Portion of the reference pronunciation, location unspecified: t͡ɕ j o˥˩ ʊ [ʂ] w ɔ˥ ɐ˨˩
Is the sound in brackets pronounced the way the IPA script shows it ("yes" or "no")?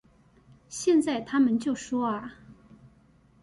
yes